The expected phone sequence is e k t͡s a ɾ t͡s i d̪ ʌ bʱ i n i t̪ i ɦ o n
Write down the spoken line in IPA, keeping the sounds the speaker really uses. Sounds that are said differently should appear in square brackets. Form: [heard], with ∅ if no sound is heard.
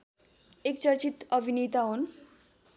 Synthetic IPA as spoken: e k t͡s [ʌ] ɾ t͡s i [t̪] ʌ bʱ i n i t̪ [a] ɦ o n